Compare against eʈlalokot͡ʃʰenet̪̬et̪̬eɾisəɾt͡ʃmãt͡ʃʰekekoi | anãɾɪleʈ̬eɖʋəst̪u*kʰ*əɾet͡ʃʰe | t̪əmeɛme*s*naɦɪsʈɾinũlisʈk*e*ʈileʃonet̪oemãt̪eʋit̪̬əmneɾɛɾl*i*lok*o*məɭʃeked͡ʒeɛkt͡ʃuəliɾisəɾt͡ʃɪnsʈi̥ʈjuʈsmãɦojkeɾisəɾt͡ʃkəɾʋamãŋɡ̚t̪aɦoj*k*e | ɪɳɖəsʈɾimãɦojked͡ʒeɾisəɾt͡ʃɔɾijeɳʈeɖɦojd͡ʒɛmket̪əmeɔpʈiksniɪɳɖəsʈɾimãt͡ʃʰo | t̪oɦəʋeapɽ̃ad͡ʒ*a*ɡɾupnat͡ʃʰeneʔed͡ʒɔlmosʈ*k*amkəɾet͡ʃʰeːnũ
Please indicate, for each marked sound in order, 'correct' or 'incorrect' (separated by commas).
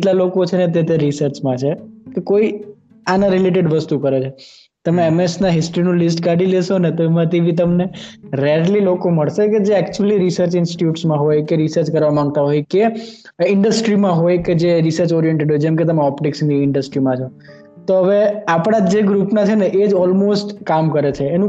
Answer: incorrect, correct, incorrect, correct, correct, correct, incorrect, correct